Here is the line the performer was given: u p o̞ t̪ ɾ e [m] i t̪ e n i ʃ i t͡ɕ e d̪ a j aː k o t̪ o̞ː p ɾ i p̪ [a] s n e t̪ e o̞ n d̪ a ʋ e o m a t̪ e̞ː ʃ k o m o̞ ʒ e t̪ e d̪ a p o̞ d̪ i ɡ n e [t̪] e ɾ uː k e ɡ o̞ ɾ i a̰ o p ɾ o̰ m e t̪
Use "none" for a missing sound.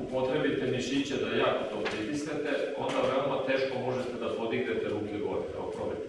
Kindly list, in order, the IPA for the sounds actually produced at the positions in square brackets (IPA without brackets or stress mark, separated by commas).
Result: b, i, t̪